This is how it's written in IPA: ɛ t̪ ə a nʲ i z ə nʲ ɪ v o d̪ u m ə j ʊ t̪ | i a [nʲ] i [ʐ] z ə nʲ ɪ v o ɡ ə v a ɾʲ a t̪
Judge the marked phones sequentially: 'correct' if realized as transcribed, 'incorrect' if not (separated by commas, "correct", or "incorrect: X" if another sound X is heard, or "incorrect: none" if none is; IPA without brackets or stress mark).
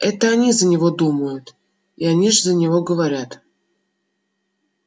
correct, correct